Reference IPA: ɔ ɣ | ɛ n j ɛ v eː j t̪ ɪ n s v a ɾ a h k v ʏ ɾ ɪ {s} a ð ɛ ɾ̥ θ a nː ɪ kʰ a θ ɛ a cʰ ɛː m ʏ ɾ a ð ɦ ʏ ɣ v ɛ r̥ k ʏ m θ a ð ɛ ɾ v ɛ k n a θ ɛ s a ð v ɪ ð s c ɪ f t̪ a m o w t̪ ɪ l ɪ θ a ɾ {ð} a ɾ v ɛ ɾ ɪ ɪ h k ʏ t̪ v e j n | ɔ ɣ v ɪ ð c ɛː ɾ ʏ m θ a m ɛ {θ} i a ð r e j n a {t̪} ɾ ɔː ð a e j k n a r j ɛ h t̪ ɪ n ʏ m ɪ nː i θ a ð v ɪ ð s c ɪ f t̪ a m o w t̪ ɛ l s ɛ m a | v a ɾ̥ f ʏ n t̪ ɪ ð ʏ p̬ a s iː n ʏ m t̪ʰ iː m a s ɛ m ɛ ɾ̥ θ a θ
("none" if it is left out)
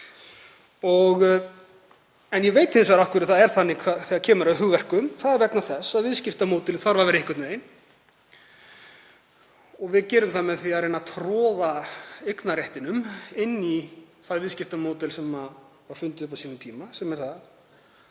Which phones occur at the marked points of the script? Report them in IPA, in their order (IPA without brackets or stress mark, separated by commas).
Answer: θ, v, θ, t̪ʰ